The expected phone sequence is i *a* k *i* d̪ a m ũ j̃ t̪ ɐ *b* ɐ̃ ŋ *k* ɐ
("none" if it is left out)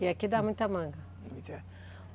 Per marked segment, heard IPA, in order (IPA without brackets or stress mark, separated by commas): a, i, m, ɡ